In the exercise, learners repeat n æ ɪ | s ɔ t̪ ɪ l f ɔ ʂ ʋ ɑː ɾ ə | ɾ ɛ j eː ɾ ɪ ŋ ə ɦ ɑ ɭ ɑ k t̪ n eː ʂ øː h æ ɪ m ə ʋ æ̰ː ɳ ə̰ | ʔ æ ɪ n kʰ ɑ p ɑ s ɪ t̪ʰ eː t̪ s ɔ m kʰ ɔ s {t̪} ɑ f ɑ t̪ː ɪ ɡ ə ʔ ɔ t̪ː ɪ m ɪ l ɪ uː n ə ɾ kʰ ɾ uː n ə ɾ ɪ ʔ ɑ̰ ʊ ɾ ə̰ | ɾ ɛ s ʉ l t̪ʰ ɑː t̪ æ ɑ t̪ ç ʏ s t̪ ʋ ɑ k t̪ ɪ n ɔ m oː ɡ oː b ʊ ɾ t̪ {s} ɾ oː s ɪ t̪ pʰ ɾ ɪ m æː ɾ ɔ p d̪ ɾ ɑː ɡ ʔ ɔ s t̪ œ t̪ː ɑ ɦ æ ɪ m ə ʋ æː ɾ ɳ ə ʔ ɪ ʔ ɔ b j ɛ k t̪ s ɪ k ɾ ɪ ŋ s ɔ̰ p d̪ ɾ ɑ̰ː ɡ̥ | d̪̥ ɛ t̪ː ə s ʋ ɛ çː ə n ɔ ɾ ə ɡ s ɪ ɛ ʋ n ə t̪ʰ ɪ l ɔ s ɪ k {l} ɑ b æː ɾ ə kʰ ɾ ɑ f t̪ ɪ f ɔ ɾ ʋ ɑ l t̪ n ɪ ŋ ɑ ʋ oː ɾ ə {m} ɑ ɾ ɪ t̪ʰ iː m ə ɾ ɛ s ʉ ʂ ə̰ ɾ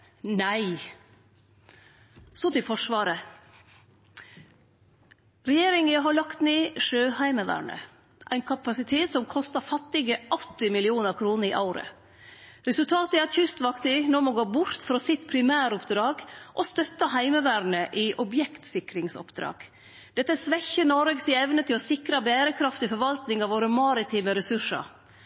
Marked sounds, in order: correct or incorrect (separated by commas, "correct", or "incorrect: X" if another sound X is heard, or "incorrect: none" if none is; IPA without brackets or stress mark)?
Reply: correct, incorrect: f, incorrect: ɾ, correct